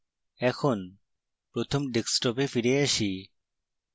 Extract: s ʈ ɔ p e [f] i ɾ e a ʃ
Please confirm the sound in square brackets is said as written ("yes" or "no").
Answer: yes